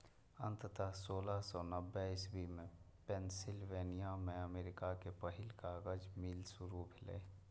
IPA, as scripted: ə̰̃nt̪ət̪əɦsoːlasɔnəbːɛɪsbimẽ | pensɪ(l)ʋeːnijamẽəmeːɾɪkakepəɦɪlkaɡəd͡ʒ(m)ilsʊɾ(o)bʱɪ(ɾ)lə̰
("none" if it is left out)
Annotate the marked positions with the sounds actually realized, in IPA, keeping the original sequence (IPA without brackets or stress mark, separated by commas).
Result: l, m, u, none